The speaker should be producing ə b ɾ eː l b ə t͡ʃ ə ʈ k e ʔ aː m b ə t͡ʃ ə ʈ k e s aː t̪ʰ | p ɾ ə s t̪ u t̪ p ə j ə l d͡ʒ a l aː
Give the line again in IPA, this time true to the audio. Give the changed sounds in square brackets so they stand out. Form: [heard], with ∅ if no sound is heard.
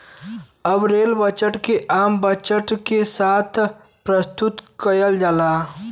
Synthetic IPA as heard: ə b ɾ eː l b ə t͡ʃ ə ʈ k e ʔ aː m b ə t͡ʃ ə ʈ k e s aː t̪ʰ | p ɾ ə s t̪ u t̪ [k] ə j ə l d͡ʒ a l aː